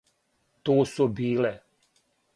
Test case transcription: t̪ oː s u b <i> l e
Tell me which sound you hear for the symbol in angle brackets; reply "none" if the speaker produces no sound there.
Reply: iː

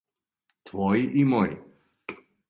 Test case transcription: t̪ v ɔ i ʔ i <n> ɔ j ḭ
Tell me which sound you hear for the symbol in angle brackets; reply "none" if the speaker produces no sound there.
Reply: m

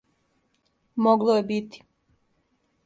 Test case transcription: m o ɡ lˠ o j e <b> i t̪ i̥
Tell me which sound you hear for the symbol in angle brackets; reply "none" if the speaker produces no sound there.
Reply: b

